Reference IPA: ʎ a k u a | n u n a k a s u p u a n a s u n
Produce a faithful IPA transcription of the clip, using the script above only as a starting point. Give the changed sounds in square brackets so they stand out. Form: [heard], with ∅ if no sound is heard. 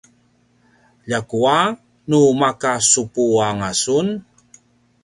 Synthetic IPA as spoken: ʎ a k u a | n u [m] a k a s u p u a [ŋ] a s u n